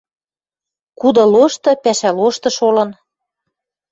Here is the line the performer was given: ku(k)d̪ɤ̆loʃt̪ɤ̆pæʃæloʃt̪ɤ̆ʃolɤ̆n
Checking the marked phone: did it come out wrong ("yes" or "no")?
yes